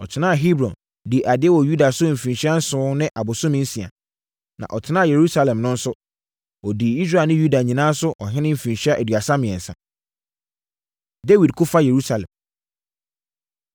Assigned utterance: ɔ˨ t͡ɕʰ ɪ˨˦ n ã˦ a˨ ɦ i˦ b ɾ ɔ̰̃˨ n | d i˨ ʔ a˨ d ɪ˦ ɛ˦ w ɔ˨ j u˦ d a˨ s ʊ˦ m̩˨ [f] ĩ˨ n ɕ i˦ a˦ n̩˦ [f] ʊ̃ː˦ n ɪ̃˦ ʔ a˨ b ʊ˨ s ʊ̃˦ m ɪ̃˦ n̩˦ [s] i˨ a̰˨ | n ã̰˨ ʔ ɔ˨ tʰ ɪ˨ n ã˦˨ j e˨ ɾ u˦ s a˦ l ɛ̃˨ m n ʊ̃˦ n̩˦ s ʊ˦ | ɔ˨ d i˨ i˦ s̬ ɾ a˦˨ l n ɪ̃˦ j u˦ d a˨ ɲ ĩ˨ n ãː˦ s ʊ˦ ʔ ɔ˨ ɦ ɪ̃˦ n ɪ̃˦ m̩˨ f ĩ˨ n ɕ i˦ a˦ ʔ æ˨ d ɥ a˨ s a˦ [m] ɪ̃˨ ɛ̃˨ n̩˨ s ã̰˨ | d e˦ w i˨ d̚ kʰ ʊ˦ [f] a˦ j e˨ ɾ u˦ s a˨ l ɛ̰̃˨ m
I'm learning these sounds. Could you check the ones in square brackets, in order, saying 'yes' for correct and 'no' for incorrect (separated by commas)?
yes, no, yes, yes, yes